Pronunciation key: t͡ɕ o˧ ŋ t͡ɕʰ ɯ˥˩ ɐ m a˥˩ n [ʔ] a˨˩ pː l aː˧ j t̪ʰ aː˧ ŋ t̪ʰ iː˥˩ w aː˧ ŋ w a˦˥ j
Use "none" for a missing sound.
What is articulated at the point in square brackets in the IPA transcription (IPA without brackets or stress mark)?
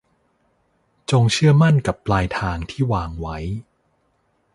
k